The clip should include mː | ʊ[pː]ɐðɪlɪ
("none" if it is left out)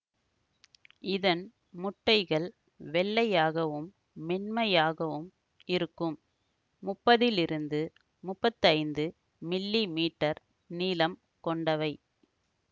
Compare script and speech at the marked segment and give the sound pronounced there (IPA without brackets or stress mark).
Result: pː